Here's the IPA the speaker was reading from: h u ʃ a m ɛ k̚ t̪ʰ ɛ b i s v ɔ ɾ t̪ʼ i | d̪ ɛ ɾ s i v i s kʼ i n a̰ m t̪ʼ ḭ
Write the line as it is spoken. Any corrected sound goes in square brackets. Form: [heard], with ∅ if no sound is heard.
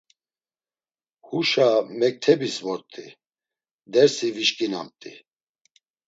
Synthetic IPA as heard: h u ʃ a m ɛ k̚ t̪ʰ ɛ b i s v ɔ ɾ t̪ʼ i | d̪ ɛ ɾ s i v i [ʃ] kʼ i n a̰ m t̪ʼ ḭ